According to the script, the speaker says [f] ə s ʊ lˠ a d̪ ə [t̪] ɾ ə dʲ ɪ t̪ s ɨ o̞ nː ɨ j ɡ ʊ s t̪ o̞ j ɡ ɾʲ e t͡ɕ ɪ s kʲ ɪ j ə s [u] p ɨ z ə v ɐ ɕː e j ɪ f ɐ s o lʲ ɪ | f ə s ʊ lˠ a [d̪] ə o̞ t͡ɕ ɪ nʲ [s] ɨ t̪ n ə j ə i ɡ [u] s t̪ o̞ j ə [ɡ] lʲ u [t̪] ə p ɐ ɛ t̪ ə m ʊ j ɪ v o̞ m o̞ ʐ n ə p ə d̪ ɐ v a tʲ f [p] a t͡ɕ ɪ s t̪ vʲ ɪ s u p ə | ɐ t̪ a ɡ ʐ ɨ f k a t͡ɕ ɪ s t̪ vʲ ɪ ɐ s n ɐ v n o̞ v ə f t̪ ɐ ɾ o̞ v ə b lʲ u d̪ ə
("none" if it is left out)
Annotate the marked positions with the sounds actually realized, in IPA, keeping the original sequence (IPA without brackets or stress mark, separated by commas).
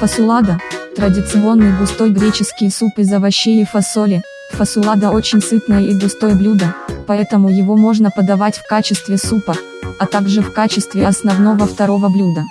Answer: f, t̪, u, d̪, s, ʊ, b, d̪, k